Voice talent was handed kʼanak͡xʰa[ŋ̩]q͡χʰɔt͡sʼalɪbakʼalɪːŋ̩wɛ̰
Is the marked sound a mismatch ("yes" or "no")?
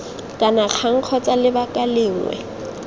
no